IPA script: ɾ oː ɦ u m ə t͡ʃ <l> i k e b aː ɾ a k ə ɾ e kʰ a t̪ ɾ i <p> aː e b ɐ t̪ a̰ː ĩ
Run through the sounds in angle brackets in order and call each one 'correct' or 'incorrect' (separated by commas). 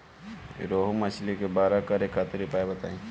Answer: correct, correct